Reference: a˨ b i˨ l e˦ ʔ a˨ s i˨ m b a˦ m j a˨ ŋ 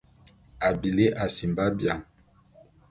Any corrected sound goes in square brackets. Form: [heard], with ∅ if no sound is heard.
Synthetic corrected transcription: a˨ b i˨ l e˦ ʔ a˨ s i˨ m b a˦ [b] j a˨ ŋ